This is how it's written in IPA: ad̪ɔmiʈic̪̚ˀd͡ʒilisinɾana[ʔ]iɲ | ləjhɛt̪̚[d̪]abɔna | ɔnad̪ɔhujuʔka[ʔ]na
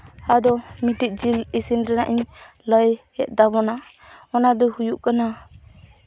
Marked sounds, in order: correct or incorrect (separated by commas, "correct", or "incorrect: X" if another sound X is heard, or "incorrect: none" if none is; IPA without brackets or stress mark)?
correct, correct, incorrect: none